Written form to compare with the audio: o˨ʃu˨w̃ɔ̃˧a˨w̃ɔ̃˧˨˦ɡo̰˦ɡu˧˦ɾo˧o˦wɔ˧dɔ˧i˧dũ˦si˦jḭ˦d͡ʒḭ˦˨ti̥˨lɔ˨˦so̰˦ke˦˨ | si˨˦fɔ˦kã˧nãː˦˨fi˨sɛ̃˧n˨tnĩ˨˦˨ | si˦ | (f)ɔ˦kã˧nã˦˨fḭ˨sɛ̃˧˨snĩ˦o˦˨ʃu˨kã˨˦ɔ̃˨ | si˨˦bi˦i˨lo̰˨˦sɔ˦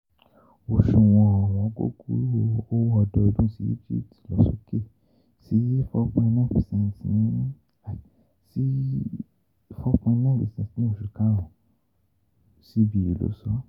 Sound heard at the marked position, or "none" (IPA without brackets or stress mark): f